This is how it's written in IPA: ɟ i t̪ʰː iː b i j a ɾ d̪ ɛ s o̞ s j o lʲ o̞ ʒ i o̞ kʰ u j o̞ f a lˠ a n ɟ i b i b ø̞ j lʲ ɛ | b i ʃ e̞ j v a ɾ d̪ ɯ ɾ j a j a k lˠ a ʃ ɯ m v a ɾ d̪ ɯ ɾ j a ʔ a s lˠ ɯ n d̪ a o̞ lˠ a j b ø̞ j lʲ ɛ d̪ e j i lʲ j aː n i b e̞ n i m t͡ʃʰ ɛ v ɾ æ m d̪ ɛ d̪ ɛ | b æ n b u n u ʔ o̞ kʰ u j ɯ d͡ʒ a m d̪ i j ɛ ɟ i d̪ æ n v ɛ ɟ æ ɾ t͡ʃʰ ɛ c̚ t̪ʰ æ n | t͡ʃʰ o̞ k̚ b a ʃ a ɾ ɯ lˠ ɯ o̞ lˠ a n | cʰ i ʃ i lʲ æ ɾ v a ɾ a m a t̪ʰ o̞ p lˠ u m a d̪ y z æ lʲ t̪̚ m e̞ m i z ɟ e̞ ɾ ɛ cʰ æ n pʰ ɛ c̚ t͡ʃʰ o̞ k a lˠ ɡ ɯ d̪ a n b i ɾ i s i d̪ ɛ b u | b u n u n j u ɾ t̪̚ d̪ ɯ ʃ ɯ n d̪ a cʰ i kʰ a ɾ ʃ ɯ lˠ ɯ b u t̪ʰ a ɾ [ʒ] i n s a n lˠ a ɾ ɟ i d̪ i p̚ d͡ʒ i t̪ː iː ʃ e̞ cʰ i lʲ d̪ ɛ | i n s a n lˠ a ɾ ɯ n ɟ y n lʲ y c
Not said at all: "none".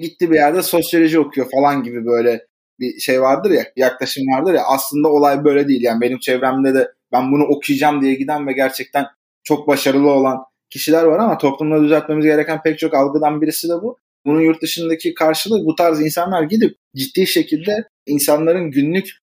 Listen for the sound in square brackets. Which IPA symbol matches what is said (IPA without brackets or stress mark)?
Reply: z